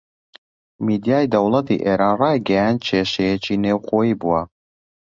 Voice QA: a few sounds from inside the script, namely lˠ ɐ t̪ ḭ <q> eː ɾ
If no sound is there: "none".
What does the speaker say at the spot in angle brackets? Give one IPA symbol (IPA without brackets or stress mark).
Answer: ʔ